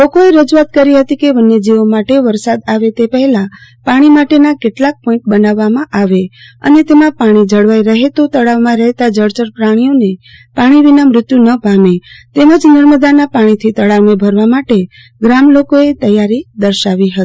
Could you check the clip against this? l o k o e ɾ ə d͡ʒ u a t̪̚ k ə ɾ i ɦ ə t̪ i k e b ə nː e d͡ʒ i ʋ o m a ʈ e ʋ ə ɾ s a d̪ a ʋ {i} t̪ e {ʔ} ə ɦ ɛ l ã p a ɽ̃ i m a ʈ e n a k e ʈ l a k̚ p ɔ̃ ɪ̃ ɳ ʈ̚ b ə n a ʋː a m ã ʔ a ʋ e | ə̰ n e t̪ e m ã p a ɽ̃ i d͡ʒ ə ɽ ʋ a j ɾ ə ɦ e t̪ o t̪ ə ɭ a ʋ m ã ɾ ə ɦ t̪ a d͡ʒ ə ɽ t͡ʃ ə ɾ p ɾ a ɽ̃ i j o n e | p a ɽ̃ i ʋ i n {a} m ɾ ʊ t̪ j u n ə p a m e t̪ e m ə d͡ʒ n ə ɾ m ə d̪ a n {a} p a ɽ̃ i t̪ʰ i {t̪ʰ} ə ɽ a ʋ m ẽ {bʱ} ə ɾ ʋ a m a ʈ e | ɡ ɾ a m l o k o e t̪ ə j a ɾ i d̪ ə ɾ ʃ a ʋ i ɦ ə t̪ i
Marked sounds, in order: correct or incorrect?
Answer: incorrect, incorrect, correct, correct, incorrect, correct

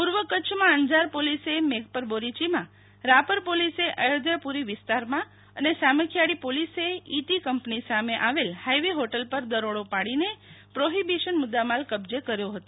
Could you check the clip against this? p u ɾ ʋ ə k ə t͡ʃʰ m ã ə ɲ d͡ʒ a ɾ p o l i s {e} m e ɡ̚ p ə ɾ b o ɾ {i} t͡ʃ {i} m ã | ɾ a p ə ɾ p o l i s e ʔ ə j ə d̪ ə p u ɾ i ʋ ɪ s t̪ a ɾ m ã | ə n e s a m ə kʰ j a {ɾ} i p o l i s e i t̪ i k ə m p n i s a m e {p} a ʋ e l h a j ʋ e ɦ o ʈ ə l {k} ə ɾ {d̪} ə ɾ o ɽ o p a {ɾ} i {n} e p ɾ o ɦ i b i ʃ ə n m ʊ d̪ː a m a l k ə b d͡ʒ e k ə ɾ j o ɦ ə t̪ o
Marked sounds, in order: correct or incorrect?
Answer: correct, correct, correct, incorrect, incorrect, incorrect, correct, incorrect, correct

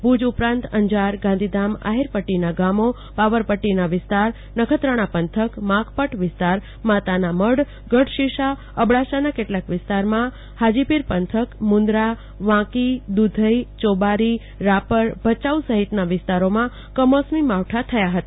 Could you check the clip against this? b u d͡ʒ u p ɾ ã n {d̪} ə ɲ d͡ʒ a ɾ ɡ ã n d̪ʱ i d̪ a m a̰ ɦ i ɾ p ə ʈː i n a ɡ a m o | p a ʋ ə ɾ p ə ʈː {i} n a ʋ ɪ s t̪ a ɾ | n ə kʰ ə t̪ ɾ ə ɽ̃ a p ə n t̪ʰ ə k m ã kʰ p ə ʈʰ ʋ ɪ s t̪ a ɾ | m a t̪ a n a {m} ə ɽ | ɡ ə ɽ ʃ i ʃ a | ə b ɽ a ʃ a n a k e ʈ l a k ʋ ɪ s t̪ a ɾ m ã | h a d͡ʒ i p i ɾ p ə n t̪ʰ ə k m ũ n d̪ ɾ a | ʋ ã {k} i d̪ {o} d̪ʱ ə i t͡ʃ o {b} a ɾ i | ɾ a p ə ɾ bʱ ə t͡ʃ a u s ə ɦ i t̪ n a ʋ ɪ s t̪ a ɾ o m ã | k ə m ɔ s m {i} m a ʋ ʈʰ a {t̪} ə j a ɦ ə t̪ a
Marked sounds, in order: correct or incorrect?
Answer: incorrect, correct, correct, correct, incorrect, correct, correct, incorrect

